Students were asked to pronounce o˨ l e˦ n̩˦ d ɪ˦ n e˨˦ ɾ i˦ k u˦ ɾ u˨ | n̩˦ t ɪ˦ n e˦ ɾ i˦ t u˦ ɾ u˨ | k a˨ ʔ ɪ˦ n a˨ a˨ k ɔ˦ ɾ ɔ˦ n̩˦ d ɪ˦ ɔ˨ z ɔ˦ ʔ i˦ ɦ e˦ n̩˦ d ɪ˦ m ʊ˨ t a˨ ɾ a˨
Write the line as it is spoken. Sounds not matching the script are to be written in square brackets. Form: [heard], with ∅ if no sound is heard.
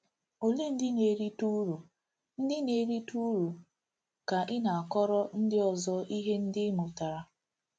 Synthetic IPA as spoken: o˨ l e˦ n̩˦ d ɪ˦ n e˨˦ ɾ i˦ [t] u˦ ɾ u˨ | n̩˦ [d] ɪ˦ n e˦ ɾ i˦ t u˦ ɾ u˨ | k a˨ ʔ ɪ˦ n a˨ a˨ k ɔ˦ ɾ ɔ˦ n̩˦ d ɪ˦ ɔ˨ z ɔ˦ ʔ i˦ ɦ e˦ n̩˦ d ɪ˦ m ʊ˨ t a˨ ɾ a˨